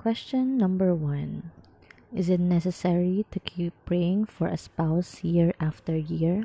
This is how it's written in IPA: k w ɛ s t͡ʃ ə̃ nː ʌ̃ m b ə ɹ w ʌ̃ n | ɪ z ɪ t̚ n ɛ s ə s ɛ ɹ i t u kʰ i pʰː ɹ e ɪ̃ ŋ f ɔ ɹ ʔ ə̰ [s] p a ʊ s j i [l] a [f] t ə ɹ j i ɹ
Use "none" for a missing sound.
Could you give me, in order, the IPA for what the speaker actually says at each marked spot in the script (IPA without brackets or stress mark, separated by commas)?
s, ɹ, f